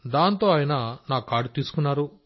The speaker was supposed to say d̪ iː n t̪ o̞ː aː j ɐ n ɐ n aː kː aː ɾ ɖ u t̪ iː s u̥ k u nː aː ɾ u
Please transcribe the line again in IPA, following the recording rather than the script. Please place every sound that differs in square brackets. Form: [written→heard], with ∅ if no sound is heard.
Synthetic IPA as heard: d̪ [iː→aː] n t̪ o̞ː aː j ɐ n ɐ n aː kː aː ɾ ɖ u t̪ iː s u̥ k u nː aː ɾ u